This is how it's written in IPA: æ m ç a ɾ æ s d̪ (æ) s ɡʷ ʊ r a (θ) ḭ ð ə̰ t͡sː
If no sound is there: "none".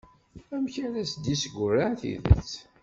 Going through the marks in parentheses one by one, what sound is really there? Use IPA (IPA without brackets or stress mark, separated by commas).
i, θ